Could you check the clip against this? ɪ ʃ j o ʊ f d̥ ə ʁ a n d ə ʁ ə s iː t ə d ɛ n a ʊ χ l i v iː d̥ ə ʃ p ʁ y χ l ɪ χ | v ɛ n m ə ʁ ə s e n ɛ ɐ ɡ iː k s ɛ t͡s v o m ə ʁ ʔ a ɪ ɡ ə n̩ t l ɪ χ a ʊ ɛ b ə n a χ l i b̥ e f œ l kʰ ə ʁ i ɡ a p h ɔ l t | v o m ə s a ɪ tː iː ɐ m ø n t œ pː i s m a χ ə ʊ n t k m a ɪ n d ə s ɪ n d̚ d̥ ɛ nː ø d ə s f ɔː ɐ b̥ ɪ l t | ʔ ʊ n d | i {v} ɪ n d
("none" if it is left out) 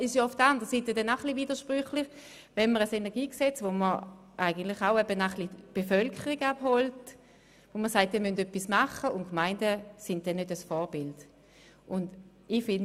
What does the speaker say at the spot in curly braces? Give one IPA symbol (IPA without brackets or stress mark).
f